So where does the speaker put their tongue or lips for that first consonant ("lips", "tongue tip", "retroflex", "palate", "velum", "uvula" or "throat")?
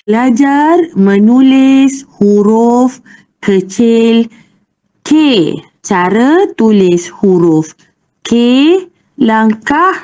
tongue tip